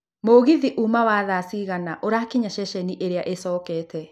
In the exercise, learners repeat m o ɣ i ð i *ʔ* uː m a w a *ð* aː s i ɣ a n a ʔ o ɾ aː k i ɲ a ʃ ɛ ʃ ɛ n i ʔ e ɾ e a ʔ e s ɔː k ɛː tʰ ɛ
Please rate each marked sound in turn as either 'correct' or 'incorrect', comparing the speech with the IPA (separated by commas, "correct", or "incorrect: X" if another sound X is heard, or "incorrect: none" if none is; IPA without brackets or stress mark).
correct, correct